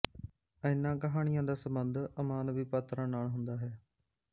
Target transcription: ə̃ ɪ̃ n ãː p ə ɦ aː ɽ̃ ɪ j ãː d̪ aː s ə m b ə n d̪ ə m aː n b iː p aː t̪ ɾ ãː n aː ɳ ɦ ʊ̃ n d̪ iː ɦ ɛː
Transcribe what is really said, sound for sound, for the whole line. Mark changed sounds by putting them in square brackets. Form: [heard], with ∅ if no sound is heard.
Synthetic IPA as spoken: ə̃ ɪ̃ n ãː [k] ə ɦ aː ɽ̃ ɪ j ãː d̪ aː s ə m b ə n d̪ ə m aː n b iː p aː t̪ ɾ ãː n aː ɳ ɦ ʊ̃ n d̪ [aː] ɦ ɛː